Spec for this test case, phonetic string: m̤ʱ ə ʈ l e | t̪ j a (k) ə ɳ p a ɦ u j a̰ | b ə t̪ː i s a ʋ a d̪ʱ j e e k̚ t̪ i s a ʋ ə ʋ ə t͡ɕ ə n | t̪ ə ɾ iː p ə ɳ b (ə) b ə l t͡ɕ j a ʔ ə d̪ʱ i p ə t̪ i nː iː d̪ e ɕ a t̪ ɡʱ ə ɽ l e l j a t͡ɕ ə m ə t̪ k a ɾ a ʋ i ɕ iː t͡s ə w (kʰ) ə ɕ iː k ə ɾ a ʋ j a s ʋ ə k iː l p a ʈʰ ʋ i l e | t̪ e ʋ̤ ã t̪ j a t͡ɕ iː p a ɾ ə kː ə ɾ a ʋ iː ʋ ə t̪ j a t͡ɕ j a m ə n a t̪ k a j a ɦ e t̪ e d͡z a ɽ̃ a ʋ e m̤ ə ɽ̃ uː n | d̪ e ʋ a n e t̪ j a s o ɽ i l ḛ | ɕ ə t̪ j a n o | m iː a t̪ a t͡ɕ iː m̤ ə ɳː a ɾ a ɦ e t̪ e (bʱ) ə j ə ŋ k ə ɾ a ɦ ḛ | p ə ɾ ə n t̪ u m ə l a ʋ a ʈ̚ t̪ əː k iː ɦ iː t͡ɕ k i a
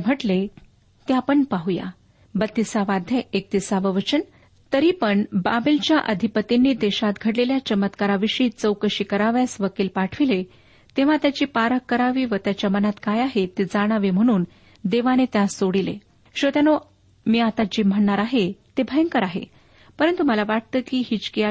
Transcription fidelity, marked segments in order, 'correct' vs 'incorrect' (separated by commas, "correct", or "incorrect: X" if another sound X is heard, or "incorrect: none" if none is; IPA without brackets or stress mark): incorrect: p, incorrect: a, incorrect: k, correct